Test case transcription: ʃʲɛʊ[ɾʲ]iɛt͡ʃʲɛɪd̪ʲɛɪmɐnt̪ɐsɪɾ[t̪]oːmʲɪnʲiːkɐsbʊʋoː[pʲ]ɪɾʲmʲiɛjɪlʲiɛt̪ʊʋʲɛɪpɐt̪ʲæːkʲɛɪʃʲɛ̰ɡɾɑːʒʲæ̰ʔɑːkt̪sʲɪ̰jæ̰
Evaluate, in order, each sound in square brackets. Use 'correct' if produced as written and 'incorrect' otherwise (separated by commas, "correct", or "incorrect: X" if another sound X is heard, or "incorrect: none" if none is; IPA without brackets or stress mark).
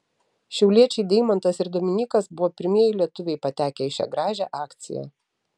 incorrect: lʲ, incorrect: d̪, correct